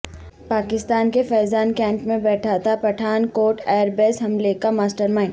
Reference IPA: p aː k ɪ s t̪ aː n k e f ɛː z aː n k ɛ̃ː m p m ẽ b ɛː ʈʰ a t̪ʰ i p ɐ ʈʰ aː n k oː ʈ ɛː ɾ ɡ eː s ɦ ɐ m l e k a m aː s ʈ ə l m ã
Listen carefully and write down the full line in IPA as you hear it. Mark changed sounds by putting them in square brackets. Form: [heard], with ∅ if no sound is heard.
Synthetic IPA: p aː k ɪ s t̪ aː n k e f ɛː z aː n k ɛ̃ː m p m ẽ b ɛː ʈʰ a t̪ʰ [a] p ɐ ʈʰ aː n k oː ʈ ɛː ɾ [b] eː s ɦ ɐ m l e k a m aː s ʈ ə [ɾ] m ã